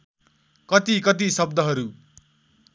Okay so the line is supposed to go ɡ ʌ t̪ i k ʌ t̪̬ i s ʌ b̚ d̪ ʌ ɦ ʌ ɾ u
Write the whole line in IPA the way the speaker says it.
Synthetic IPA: k ʌ t̪ i k ʌ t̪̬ i s ʌ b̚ d̪ ʌ ɦ ʌ ɾ u